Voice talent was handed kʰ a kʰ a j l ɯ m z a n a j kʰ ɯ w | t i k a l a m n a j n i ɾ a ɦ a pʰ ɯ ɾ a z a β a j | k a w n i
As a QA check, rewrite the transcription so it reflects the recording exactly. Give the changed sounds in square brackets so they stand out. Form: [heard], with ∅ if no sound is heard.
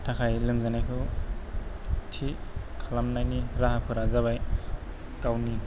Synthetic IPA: [tʰ] a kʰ a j l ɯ m z a n a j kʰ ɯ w | [tʰ] i [kʰ] a l a m n a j n i ɾ a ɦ a pʰ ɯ ɾ a z a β a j | k a w n i